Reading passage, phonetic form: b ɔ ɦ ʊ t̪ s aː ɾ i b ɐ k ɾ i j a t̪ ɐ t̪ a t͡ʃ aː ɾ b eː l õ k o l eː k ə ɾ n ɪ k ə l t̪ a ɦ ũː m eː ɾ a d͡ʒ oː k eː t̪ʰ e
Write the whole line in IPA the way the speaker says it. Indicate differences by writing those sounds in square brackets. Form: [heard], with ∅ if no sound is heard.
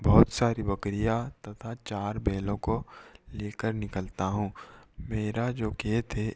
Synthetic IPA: b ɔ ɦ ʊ t̪ s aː ɾ i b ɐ k ɾ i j a t̪ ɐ [t̪ʰ] a t͡ʃ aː ɾ b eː l õ k o l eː k ə ɾ n ɪ k ə l t̪ a ɦ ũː m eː ɾ a d͡ʒ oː k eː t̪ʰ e